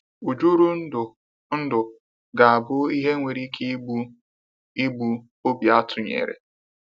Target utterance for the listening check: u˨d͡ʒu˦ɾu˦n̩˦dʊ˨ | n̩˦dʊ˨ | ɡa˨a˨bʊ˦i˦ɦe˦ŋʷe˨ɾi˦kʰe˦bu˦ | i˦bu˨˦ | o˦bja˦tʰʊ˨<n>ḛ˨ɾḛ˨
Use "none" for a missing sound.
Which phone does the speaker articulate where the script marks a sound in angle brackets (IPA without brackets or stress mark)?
ɲ